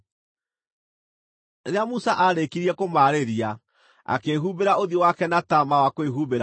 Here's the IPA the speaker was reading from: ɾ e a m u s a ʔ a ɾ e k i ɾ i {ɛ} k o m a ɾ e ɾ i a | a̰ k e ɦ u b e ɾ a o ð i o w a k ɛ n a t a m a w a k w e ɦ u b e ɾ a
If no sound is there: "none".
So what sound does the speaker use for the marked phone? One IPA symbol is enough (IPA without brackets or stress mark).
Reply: ɛ